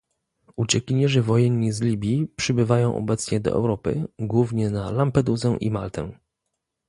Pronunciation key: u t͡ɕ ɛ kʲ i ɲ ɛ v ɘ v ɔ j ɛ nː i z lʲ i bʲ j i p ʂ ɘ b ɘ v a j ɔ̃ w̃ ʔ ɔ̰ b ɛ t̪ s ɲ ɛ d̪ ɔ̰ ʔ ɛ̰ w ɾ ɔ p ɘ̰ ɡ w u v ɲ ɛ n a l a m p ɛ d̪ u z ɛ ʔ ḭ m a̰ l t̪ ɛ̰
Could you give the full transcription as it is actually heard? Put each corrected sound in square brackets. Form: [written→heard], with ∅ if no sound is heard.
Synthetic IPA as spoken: u t͡ɕ ɛ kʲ i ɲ ɛ [v→ʐ] ɘ v ɔ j ɛ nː i z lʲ i bʲ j i p ʂ ɘ b ɘ v a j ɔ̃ w̃ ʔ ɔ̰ b ɛ t̪ s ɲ ɛ d̪ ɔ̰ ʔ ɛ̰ w ɾ ɔ p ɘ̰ ɡ w u v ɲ ɛ n a l a m p ɛ d̪ u z ɛ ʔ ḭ m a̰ l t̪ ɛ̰